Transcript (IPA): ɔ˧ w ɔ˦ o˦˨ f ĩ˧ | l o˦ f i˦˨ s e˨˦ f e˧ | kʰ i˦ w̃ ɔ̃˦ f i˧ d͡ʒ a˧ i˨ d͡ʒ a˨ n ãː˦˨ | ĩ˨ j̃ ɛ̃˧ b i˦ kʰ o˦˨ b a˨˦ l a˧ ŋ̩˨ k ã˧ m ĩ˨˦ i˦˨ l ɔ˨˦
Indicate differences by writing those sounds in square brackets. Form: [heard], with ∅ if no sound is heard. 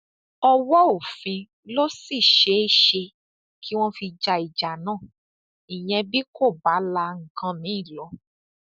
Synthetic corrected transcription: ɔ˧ w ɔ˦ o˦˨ f ĩ˧ | l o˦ [s] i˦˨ [ʃ] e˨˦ [ʃ] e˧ | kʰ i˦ w̃ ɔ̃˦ f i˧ d͡ʒ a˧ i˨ d͡ʒ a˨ n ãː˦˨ | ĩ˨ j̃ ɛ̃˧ b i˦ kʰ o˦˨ b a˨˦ l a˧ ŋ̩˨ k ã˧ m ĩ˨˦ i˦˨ l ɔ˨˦

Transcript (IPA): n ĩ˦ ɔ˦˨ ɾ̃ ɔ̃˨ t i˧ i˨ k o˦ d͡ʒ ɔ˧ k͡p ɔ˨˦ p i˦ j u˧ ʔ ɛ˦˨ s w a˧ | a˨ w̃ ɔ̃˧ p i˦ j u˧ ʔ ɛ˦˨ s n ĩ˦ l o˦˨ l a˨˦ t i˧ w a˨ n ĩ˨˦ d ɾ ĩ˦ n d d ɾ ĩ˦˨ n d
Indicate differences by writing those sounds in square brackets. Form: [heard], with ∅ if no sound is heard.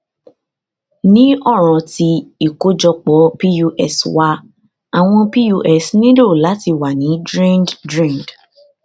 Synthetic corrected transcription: n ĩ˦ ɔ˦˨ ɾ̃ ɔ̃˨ t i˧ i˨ k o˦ d͡ʒ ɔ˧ k͡p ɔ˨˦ p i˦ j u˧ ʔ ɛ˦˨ s w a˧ | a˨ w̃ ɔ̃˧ p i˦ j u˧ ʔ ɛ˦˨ s n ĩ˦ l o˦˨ l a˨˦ t i˧ w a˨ n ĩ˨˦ d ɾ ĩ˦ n d d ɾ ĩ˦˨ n d

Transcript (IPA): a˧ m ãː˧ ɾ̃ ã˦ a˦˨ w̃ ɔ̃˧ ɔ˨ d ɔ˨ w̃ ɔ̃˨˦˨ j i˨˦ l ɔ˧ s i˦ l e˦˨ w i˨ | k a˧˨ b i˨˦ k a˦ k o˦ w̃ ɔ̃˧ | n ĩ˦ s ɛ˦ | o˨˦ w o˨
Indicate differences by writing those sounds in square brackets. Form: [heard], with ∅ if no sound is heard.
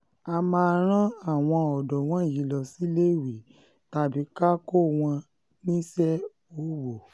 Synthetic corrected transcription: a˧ m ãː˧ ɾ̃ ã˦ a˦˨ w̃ ɔ̃˧ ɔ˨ d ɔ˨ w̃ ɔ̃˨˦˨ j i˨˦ l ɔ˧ s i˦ l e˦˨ w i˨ | [t] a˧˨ b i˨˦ k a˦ k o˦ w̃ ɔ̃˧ | n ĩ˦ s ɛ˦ | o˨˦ w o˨

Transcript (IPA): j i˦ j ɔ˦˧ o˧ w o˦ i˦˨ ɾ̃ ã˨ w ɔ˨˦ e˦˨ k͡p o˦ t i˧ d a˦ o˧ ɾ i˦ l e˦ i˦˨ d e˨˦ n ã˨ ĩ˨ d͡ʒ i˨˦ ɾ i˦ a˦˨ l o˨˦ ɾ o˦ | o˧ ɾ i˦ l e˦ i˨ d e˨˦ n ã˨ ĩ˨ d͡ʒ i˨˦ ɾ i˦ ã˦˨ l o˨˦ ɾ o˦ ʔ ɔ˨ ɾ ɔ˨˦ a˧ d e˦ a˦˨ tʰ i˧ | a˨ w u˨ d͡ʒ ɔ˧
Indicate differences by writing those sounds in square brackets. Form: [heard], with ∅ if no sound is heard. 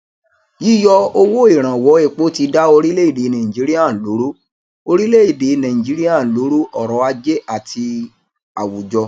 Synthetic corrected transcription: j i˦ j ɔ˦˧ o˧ w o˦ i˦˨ ɾ̃ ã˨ w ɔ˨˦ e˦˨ k͡p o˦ t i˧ d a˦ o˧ ɾ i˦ l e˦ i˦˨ d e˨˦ n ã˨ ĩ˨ d͡ʒ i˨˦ ɾ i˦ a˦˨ l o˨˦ ɾ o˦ | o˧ ɾ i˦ l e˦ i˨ d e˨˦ n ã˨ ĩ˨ d͡ʒ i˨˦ ɾ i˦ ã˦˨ l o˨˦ ɾ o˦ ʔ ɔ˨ ɾ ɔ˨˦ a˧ [d͡ʒ] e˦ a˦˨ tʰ i˧ | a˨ w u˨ d͡ʒ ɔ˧

